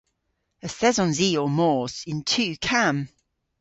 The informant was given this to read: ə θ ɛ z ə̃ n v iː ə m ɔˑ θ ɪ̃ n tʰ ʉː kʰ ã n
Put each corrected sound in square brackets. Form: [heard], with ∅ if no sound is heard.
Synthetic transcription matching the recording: ə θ ɛ z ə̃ n [z] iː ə m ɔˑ [s] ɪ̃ n tʰ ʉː kʰ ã [m]